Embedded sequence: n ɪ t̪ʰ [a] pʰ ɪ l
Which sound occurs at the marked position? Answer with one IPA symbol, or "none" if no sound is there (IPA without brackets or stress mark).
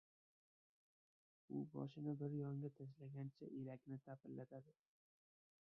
a